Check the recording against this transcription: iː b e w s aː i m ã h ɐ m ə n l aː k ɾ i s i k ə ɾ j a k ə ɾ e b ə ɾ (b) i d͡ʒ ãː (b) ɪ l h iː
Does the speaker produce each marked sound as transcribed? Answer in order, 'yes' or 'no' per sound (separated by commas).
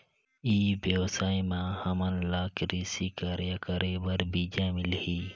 yes, no